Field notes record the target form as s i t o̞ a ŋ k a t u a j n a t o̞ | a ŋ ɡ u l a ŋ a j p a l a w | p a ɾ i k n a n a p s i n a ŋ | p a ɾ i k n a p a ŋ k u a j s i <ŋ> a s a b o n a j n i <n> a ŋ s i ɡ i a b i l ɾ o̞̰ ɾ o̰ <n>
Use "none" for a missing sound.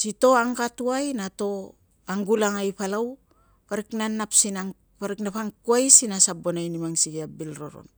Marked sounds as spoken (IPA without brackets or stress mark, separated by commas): n, m, n